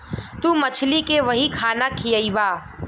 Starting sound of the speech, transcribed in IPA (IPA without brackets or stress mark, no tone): t̪